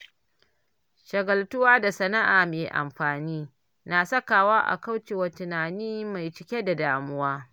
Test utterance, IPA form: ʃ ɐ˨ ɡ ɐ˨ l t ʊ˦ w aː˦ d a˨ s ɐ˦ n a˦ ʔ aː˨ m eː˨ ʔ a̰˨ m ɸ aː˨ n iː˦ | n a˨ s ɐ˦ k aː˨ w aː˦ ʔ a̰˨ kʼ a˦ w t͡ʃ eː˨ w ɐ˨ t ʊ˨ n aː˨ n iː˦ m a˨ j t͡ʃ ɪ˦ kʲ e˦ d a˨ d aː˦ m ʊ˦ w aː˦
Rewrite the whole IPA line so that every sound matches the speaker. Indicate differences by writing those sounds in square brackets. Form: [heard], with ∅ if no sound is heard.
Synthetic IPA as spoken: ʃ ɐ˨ ɡ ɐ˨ l t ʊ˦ w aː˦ d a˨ s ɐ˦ n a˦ ʔ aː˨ m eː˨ ʔ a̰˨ m ɸ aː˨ n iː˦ | n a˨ s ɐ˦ k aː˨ w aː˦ ʔ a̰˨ [k] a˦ w t͡ʃ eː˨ w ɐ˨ t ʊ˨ n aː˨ n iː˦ m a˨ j t͡ʃ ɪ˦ kʲ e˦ d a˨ d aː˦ m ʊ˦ w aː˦